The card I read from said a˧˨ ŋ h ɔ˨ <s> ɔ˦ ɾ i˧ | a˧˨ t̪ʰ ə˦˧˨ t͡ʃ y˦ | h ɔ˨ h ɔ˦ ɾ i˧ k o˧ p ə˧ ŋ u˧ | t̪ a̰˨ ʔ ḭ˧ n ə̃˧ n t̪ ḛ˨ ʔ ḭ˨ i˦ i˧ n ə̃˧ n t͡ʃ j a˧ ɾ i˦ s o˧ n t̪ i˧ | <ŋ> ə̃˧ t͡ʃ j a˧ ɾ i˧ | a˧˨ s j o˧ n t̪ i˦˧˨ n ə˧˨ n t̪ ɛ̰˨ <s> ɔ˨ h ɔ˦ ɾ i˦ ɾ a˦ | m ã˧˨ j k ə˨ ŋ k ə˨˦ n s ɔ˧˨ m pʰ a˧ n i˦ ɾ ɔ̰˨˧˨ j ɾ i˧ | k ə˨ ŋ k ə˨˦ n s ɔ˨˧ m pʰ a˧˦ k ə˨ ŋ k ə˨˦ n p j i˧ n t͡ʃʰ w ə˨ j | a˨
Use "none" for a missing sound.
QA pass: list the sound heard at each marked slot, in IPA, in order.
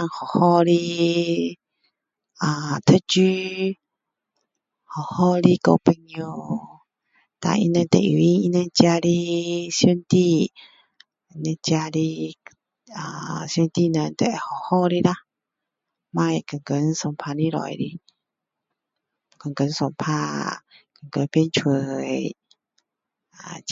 h, n, h

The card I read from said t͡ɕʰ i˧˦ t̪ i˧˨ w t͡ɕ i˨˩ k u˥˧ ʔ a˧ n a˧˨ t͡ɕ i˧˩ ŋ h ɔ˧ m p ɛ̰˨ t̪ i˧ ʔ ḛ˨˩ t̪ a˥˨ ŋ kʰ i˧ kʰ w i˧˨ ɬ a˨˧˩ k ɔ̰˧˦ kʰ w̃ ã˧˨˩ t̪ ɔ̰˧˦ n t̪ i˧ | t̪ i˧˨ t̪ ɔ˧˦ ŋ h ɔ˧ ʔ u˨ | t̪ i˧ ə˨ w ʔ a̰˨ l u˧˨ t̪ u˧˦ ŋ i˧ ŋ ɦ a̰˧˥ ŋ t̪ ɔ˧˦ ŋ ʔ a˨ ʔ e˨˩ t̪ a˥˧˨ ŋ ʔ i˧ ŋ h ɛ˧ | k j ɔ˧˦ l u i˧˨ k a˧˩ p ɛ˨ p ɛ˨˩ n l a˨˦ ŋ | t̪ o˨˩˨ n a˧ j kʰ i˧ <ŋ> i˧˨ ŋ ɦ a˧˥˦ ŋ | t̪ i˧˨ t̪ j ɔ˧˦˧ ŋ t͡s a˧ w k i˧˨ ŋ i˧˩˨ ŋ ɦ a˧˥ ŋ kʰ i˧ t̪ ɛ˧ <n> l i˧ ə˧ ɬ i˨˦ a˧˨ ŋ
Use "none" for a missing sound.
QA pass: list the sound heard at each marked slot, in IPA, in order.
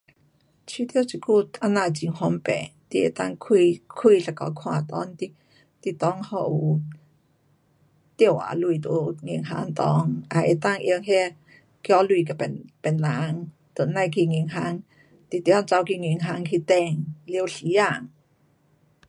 ŋ, ŋ

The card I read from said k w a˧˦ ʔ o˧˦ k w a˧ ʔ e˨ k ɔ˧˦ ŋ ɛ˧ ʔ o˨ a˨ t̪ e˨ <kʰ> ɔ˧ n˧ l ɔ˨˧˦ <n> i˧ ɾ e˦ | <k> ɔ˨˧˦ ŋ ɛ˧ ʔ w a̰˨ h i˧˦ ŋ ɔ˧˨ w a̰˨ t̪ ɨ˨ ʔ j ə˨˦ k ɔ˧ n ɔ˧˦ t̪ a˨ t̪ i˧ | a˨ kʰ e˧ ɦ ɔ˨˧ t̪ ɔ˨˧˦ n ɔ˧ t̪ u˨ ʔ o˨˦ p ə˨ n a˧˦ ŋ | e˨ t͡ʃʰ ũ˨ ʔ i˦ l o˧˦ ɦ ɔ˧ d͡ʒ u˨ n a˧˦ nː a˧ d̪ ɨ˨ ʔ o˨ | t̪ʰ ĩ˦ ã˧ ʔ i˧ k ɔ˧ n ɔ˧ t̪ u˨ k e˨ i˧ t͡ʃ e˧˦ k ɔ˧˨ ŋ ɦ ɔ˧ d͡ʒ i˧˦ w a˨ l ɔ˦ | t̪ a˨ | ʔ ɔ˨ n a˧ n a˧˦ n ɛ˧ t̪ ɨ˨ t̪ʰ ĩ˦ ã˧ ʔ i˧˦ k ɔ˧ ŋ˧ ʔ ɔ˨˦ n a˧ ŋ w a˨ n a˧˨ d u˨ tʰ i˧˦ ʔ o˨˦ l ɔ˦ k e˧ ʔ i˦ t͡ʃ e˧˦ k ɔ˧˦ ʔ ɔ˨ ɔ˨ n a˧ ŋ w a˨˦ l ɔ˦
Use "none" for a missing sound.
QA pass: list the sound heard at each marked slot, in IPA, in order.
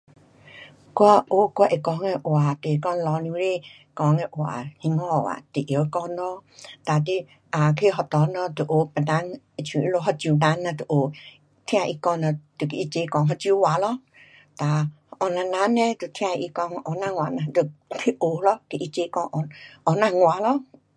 k, n, k

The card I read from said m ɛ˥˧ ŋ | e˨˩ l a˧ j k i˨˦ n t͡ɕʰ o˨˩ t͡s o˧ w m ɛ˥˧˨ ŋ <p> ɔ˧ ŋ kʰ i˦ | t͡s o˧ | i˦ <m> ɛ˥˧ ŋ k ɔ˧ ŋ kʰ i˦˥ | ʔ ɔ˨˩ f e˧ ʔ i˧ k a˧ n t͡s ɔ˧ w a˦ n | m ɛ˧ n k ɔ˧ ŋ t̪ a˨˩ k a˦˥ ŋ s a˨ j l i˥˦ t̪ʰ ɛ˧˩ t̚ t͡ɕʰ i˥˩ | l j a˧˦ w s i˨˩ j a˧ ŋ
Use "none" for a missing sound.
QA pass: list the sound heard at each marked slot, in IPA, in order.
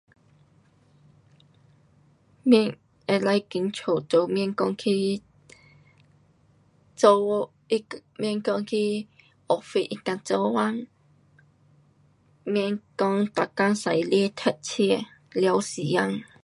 k, m

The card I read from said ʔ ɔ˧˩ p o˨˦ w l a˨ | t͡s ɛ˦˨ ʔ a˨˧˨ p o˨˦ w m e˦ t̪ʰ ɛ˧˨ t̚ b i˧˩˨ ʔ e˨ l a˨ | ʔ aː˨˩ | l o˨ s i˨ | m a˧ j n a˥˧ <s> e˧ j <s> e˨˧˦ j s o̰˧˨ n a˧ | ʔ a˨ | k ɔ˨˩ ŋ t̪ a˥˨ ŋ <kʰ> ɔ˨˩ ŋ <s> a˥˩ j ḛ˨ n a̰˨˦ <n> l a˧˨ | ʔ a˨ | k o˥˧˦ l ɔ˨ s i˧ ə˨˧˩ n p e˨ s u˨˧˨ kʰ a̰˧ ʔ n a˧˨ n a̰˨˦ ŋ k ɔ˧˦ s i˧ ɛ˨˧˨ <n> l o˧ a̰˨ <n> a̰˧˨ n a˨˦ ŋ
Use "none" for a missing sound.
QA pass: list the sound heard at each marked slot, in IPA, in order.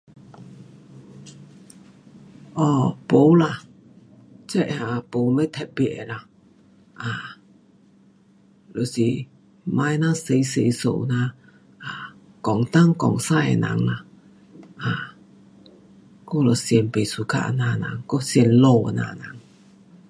s, s, k, s, ŋ, n, n

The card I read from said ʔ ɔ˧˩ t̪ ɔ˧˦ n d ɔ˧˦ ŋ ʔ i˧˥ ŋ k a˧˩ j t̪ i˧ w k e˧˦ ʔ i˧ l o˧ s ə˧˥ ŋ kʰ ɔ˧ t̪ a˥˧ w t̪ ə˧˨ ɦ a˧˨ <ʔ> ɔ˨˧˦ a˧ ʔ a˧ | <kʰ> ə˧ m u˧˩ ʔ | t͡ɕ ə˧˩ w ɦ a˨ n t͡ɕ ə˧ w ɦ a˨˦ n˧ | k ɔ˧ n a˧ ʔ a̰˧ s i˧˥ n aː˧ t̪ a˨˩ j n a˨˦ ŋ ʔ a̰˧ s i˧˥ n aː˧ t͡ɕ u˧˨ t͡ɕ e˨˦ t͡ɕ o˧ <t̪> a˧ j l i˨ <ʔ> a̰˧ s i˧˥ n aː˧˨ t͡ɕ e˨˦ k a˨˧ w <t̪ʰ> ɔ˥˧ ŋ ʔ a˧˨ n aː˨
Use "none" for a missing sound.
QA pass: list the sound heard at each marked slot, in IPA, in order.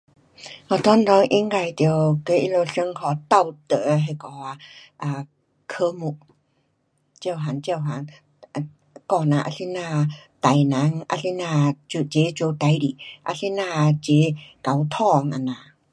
k, kʰ, t̪, ʔ, t̪ʰ

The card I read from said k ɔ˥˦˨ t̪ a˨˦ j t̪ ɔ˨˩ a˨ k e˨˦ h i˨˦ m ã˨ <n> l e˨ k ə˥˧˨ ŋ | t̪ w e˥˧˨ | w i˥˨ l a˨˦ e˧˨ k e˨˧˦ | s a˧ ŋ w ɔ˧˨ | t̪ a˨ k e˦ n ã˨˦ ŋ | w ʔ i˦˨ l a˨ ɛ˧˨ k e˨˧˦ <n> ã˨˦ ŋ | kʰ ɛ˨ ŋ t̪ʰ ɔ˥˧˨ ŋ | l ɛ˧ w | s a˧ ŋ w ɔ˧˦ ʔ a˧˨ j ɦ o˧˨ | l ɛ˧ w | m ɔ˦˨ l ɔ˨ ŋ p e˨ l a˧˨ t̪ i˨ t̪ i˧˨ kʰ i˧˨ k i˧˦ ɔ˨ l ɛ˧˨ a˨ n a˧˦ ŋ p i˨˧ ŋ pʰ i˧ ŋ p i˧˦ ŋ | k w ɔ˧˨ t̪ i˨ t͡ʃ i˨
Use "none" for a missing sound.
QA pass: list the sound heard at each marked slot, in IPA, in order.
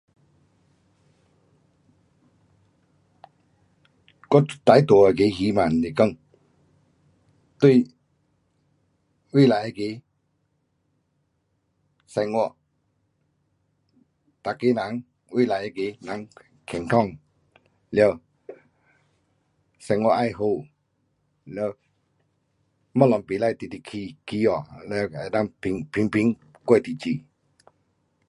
n, n

